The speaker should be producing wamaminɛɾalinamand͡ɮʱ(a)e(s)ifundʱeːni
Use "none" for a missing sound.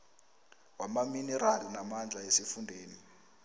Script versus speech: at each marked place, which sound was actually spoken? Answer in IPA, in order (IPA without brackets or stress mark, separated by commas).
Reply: a, s